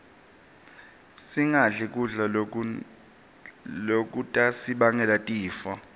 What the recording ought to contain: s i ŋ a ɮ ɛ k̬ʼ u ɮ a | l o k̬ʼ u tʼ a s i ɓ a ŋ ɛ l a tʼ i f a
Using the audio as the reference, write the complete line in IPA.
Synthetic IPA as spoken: s i ŋ a ɮ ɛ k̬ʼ u ɮ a | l o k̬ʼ u tʼ a s i ɓ a ŋ ɛ l a tʼ iː f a